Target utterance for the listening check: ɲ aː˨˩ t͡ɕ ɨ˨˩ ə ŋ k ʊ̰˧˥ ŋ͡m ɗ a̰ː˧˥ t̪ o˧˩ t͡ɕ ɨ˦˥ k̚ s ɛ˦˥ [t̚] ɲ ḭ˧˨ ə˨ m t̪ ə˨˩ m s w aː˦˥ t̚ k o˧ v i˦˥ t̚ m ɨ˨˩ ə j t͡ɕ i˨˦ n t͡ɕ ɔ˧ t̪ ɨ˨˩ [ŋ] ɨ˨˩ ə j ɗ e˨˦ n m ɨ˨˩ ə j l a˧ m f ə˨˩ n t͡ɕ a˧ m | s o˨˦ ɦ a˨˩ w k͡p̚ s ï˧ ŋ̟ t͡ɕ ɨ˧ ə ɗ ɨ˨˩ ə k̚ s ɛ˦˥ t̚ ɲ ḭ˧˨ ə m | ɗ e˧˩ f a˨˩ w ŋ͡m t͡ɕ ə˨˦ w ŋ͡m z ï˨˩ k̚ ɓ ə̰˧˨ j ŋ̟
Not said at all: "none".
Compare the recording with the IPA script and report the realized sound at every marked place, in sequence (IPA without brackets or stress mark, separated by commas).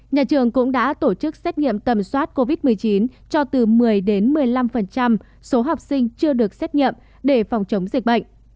t̚, m